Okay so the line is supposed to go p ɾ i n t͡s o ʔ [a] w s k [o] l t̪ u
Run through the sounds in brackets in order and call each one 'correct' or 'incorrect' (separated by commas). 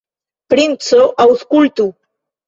correct, incorrect